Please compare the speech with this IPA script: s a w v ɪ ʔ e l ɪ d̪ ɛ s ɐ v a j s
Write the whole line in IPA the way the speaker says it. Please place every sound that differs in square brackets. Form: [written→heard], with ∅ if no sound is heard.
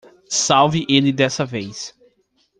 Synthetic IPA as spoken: s a w v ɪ ʔ e l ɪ d̪ ɛ s ɐ v [a→e] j s